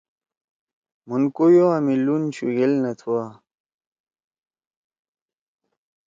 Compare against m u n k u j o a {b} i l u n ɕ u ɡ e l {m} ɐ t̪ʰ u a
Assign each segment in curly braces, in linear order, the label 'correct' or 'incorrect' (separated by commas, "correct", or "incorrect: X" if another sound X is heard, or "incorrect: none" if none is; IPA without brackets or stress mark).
incorrect: m, incorrect: n